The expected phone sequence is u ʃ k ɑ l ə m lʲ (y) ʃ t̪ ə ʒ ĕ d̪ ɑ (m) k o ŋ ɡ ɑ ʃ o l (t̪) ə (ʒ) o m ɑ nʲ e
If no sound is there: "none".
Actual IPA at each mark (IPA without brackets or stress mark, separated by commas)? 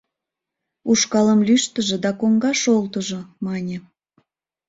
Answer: y, none, t̪, ʒ